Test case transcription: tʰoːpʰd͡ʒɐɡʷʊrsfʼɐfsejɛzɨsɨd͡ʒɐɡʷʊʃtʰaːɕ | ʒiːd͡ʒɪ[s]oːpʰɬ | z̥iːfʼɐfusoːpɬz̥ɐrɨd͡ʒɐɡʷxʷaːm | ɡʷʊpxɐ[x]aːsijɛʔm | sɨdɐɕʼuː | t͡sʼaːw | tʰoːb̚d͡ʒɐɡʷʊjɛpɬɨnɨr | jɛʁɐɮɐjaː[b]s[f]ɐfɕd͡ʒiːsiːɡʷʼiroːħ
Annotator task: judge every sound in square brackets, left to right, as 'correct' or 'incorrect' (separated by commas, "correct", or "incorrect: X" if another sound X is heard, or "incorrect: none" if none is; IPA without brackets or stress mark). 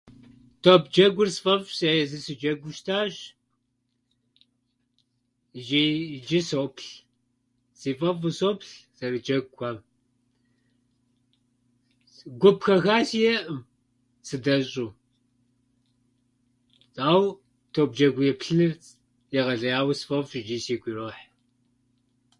correct, correct, incorrect: w, correct